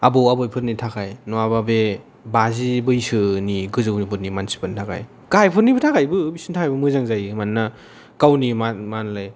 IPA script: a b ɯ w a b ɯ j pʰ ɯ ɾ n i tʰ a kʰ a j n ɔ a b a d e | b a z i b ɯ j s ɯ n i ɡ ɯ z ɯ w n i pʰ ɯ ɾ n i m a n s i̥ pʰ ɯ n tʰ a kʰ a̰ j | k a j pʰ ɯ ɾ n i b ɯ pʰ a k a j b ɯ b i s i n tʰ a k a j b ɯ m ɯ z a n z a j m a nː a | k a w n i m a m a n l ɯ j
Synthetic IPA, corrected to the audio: a b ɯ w a b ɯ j pʰ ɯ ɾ n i tʰ a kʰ a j n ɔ a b a b e | b a z i b ɯ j s ɯ n i ɡ ɯ z ɯ w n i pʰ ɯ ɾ n i m a n s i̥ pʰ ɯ n tʰ a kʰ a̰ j | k a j pʰ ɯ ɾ n i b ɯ tʰ a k a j b ɯ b i s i n tʰ a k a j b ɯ m ɯ z a ŋ z a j m a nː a | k a w n i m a m a n l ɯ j